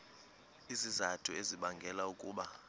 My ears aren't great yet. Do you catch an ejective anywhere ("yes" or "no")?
yes